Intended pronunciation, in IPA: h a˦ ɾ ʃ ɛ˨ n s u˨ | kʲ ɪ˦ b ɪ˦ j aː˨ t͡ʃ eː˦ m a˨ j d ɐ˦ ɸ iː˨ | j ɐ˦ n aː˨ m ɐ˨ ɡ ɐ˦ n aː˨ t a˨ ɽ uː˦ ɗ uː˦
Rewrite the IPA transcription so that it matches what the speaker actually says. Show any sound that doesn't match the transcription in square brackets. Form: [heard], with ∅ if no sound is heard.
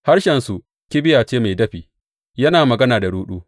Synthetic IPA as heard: h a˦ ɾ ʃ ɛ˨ n s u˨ | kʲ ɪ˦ b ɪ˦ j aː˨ t͡ʃ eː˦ m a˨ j d ɐ˦ ɸ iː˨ | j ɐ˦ n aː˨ m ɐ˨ ɡ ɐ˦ n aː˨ [d] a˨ ɽ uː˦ ɗ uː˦